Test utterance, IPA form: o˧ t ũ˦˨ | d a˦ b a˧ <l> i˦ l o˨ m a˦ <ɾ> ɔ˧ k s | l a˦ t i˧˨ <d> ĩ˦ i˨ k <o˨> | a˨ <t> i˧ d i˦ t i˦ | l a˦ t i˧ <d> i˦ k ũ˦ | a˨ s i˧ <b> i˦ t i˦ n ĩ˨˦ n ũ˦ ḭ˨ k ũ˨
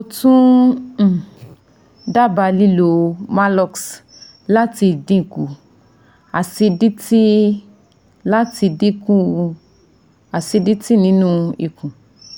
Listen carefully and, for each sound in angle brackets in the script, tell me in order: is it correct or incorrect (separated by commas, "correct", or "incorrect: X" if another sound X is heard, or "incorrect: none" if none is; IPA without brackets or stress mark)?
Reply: correct, incorrect: l, correct, incorrect: u˨, incorrect: s, correct, incorrect: d